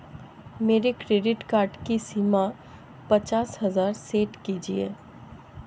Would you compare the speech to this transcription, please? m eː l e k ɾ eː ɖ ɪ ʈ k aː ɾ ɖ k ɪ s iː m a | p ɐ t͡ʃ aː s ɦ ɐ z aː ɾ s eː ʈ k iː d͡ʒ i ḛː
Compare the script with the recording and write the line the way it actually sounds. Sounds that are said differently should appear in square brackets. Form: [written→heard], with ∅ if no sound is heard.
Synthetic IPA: m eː [l→ɾ] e k ɾ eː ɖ ɪ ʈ k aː ɾ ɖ k [ɪ→i] s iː m a | p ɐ t͡ʃ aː s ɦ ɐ z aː ɾ s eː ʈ k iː d͡ʒ i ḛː